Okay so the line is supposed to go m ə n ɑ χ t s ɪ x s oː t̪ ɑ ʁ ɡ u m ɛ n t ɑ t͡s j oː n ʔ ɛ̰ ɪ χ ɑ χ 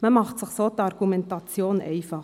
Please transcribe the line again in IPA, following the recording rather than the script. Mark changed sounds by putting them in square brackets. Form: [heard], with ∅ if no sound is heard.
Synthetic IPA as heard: m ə [m] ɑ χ t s ɪ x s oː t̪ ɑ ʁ ɡ u m ɛ n t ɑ t͡s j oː n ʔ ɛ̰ ɪ [f] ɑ χ